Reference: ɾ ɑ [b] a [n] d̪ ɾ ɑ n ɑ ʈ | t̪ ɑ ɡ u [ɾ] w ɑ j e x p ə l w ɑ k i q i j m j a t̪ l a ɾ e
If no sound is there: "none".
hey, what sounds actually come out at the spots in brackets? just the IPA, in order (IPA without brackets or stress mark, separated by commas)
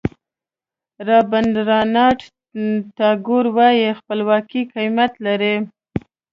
b, n, ɾ